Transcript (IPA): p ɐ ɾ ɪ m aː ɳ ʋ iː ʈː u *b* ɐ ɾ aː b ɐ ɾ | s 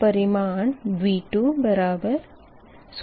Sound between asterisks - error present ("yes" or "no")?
no